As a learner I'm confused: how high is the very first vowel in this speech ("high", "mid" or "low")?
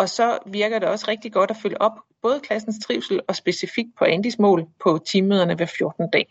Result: low